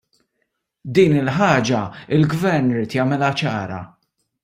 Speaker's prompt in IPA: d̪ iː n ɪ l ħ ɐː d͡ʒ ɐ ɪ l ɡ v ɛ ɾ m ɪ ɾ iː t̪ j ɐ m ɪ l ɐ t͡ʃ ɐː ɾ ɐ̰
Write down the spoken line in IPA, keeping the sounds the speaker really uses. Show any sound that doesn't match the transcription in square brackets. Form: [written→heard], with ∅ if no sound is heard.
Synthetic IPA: d̪ iː n ɪ l ħ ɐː d͡ʒ ɐ ɪ l ɡ v ɛ ɾ [m→n] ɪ ɾ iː t̪ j ɐ m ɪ l ɐ t͡ʃ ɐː ɾ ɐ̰